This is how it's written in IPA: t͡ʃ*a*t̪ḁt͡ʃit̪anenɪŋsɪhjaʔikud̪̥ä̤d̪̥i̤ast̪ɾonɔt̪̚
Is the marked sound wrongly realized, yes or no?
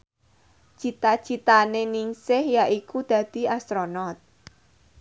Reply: yes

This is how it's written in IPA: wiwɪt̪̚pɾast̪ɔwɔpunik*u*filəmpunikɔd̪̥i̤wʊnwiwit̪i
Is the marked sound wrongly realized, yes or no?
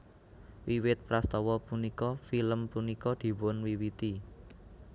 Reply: yes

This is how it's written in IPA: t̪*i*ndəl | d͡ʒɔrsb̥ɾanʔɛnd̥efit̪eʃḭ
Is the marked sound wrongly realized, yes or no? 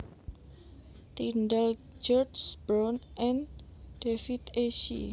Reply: no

